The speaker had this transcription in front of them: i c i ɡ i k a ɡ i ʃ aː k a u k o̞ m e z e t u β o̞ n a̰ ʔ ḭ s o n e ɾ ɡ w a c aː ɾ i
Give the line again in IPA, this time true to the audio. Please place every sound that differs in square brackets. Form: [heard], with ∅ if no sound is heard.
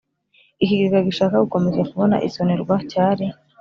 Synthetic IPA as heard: i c i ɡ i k a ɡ i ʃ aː k a u k o̞ m e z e [k] u β o̞ n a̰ ʔ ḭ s o n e ɾ ɡ w a c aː ɾ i